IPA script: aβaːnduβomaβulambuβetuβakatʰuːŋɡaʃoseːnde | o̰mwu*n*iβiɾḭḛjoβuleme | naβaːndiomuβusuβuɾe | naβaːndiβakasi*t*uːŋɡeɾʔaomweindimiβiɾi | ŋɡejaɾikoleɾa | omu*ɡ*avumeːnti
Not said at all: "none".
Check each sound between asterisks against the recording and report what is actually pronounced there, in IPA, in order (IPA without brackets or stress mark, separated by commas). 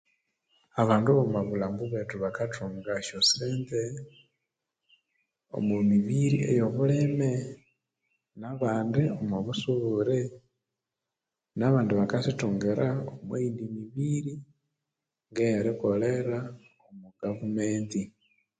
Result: m, t, ɡ